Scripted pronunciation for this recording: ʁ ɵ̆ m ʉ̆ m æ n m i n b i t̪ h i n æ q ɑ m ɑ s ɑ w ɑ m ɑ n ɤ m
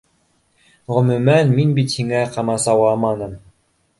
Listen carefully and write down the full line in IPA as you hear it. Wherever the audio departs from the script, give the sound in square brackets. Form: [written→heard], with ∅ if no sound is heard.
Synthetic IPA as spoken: ʁ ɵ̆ m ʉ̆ m æ n m i n b i t̪ h i [n→ŋ] æ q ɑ m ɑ s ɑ w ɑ m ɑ n ɤ m